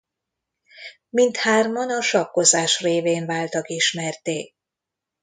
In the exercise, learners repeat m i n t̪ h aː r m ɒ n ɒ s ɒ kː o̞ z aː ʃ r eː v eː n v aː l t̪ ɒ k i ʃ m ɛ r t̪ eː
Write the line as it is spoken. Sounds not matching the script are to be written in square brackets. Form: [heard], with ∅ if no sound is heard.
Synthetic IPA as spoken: m i n t̪ h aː r m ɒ n ɒ [ʃ] ɒ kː o̞ z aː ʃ r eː v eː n v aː l t̪ ɒ k i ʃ m ɛ r t̪ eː